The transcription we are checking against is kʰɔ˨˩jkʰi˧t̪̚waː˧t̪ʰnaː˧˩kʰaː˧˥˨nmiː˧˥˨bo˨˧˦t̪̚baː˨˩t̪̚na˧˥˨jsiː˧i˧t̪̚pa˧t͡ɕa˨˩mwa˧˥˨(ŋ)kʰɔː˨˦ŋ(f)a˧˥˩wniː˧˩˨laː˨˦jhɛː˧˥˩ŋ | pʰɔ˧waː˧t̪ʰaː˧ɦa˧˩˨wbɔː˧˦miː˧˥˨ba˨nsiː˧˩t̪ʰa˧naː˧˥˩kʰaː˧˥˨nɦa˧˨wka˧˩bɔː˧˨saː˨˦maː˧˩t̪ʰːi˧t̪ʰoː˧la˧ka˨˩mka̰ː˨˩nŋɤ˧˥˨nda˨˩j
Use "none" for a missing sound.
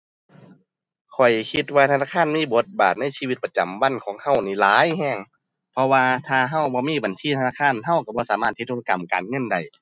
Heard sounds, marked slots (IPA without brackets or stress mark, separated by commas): n, h